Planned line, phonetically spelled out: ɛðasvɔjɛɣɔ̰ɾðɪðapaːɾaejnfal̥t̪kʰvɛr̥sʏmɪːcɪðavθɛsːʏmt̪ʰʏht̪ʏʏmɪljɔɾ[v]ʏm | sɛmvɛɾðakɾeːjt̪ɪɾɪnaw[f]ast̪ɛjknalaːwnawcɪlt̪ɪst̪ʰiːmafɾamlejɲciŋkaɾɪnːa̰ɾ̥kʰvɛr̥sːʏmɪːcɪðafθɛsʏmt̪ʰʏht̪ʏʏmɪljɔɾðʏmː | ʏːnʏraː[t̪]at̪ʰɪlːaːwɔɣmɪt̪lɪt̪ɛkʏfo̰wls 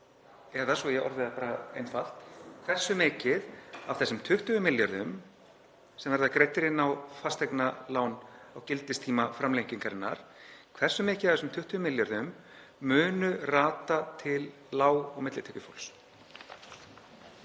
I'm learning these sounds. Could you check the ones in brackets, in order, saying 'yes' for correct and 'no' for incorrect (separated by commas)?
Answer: no, yes, yes